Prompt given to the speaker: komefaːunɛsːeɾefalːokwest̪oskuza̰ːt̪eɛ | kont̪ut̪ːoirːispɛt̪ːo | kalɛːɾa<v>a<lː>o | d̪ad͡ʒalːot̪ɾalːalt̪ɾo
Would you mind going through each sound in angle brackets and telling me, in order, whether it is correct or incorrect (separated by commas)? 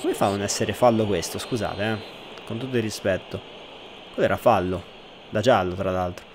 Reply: incorrect, correct